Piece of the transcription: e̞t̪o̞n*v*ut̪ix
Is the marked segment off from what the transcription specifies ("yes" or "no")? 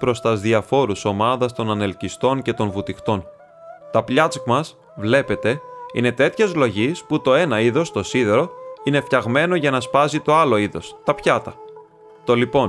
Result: no